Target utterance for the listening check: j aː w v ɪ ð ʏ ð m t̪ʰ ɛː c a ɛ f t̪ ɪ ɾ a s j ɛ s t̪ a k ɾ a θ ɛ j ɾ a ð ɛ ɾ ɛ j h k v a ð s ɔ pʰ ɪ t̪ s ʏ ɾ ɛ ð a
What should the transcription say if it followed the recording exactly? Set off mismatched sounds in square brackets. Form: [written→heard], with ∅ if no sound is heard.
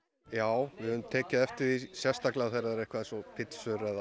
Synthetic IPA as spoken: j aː w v ɪ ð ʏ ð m t̪ʰ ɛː c a ɛ f t̪ ɪ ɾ [a→i] s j ɛ s t̪ a k [ɾ→l] a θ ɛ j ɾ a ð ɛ ɾ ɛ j h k v a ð s ɔ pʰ ɪ t̪ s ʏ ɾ ɛ ð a